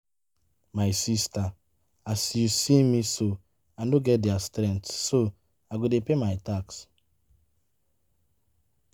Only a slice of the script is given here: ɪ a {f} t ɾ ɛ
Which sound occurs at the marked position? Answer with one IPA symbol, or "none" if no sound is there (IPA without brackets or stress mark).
s